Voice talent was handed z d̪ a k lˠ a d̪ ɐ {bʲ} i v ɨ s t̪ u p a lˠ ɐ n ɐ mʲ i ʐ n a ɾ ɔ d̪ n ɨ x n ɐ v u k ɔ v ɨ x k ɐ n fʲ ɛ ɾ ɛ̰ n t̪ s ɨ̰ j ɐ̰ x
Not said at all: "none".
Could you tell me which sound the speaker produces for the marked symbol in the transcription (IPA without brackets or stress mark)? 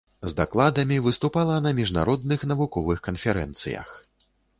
mʲ